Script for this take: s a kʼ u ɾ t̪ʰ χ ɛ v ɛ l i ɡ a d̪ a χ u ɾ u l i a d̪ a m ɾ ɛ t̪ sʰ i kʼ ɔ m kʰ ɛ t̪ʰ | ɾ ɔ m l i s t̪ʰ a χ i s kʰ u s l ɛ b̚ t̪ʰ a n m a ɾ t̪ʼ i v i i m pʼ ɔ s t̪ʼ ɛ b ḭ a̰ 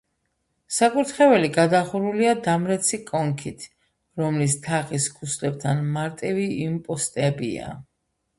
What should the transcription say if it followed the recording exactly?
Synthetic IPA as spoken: s a kʼ u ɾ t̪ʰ χ ɛ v ɛ l i ɡ a d̪ a χ u ɾ u l i a d̪ a m ɾ ɛ t̪ sʰ i kʼ ɔ ŋ kʰ i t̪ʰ | ɾ ɔ m l i s t̪ʰ a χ i s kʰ u s l ɛ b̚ t̪ʰ a n m a ɾ t̪ʼ i v i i m pʼ ɔ s t̪ʼ ɛ b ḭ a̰